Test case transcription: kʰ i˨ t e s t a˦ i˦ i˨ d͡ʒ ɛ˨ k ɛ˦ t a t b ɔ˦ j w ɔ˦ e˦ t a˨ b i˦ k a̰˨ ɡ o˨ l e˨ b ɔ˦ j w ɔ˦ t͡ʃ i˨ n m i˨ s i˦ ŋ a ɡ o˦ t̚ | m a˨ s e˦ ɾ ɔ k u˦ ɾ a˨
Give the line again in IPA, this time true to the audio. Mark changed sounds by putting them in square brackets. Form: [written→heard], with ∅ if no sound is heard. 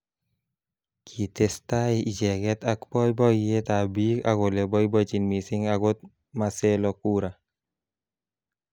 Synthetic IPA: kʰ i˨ t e s t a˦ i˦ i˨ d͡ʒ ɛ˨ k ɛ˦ t a [t→k] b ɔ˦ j [w→b] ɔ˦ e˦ t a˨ b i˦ k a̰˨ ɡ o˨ l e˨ b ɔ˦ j [w→b] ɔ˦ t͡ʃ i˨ n m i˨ s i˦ ŋ a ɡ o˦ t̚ | m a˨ s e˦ [ɾ→l] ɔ k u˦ ɾ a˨